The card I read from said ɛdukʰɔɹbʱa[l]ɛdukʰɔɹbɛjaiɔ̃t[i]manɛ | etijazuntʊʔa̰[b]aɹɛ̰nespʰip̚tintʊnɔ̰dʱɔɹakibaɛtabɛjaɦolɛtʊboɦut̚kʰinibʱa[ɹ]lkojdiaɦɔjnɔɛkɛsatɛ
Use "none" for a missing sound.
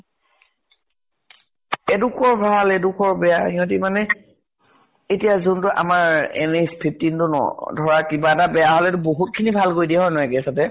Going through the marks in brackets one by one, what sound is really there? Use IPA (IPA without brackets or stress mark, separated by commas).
l, i, m, none